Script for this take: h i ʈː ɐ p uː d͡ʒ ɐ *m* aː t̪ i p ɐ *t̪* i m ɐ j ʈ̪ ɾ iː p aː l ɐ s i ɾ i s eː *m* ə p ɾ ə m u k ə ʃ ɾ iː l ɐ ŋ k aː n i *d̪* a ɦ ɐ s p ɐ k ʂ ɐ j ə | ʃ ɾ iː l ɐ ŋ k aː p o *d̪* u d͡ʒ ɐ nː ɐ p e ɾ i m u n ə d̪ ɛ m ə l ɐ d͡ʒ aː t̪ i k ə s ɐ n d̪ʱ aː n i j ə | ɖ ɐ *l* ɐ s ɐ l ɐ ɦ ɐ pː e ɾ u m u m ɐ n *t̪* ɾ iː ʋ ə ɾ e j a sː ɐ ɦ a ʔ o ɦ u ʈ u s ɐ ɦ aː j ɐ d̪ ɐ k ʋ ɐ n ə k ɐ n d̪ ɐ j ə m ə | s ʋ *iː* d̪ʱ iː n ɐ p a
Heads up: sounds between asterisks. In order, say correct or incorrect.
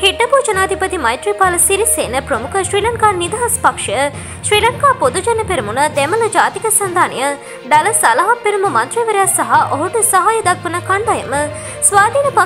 incorrect: n, correct, incorrect: n, correct, correct, correct, correct, incorrect: aː

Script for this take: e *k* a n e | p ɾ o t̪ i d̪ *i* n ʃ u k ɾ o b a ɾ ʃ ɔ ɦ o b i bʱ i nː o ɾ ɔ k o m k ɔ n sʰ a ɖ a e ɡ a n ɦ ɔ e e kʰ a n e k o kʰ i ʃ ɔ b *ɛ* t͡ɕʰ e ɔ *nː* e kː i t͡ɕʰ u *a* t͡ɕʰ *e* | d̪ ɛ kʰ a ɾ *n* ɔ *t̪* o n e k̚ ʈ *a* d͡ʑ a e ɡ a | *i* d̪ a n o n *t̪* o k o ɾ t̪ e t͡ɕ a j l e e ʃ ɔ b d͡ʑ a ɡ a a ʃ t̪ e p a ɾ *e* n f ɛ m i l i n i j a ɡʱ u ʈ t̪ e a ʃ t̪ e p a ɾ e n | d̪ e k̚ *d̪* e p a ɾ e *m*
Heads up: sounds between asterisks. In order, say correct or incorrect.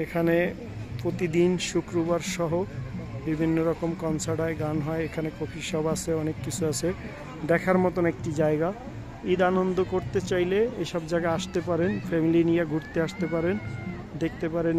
incorrect: kʰ, correct, incorrect: a, incorrect: n, correct, correct, incorrect: m, correct, incorrect: i, correct, incorrect: d̪, correct, incorrect: t̪, incorrect: n

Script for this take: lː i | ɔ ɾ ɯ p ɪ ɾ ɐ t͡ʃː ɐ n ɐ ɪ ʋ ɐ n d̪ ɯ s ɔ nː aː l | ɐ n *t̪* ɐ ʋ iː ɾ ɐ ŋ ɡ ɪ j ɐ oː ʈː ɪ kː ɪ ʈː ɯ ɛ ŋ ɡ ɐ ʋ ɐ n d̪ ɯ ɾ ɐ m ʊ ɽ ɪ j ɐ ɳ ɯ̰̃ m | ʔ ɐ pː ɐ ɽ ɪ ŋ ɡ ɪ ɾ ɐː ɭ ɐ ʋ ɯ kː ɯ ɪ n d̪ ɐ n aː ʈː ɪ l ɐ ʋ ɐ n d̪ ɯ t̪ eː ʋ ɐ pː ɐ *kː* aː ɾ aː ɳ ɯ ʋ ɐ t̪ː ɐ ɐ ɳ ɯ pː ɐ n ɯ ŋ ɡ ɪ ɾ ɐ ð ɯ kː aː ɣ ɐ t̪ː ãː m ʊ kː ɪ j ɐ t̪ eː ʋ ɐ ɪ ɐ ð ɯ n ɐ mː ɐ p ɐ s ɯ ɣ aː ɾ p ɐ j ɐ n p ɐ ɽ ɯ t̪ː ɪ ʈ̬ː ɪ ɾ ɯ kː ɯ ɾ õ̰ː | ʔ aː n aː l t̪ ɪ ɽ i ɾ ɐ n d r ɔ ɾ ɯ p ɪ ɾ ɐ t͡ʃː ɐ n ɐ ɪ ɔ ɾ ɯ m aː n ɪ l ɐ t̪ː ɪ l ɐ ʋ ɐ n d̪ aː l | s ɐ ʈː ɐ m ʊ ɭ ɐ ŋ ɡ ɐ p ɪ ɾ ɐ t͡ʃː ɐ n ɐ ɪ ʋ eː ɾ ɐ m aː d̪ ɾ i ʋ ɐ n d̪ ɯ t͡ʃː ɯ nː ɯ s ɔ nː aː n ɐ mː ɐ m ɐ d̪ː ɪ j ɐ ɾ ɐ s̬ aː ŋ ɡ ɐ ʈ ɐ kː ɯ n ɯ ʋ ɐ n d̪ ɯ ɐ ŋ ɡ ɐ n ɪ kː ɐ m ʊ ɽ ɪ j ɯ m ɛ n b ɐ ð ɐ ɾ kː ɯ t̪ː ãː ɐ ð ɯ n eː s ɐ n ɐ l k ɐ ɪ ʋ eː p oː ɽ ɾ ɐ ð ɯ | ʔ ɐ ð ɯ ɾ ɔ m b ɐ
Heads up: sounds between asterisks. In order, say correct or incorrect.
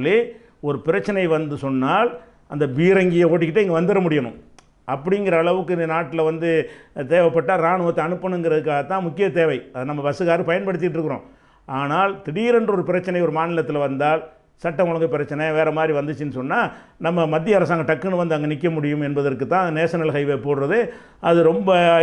incorrect: d̪, incorrect: ʈː

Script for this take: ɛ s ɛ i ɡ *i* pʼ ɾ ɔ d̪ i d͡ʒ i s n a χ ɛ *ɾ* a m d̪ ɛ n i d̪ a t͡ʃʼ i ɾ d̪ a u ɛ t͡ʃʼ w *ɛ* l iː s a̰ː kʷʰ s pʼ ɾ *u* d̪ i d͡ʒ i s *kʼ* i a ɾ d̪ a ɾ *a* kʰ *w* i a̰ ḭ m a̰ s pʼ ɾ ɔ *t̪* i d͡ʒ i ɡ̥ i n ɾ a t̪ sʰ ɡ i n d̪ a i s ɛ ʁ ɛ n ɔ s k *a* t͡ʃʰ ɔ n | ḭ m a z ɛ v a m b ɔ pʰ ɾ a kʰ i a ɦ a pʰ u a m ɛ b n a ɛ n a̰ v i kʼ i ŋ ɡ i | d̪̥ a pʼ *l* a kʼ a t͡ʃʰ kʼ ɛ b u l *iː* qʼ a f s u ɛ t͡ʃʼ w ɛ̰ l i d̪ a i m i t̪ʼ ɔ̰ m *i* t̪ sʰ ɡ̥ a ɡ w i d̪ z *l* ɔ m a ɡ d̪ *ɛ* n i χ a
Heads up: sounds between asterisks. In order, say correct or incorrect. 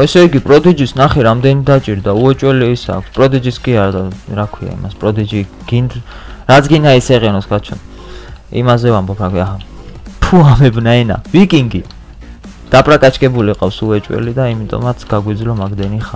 correct, correct, correct, incorrect: ɔ, correct, correct, correct, incorrect: d̪, correct, incorrect: ɾ, incorrect: i, incorrect: a, correct, correct

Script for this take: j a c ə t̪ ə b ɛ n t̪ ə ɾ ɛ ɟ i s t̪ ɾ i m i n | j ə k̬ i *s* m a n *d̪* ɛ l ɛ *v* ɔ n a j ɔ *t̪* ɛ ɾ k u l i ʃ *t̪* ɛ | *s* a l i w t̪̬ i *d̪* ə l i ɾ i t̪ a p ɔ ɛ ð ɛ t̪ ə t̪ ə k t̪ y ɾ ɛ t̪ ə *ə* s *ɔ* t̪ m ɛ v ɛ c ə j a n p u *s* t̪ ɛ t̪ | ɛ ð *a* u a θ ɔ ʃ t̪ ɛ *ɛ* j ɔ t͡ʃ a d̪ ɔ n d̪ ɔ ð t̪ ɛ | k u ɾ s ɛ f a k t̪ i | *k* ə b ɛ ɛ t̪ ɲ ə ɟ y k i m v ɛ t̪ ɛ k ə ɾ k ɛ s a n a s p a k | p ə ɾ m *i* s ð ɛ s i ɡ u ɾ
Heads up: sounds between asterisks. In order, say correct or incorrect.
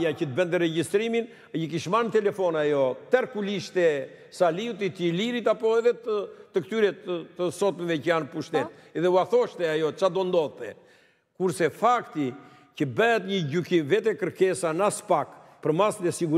incorrect: ʃ, incorrect: t̪, incorrect: f, correct, correct, correct, incorrect: t̪, correct, correct, incorrect: ʃ, incorrect: ɛ, incorrect: a, incorrect: c, incorrect: a

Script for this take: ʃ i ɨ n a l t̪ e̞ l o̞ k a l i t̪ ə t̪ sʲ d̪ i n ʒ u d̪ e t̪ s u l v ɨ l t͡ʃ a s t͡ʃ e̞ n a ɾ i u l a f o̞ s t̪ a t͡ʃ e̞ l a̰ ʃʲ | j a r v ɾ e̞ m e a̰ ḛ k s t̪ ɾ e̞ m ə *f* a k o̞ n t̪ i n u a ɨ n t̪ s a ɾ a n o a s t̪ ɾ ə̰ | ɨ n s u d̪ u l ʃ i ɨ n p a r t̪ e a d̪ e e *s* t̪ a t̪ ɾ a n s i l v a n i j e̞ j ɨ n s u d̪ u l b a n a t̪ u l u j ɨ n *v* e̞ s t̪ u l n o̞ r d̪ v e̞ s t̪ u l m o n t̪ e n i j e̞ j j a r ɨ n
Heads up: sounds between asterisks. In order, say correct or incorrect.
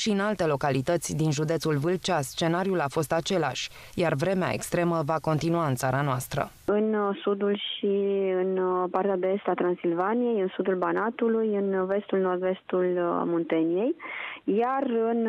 incorrect: v, correct, correct

